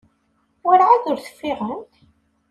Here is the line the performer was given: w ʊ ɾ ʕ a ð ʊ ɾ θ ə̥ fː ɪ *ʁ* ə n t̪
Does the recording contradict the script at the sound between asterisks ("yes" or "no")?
no